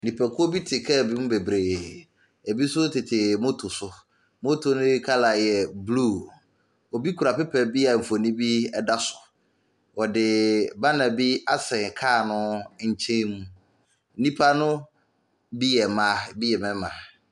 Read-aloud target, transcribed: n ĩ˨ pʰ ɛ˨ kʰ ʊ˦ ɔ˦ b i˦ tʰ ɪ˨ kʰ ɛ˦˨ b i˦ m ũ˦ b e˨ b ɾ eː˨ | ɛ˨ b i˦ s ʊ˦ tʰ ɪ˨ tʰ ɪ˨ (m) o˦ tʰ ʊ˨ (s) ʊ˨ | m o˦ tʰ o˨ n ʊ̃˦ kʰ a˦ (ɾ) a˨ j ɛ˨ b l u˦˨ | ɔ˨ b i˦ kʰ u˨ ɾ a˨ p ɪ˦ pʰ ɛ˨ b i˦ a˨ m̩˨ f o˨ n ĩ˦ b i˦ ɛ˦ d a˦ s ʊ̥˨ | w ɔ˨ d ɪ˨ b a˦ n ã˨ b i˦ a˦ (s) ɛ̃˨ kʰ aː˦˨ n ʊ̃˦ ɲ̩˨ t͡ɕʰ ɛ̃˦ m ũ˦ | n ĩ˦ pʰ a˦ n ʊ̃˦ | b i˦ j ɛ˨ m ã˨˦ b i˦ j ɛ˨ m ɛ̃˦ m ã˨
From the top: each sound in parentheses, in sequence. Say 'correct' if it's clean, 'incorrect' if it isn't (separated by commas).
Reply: correct, correct, incorrect, correct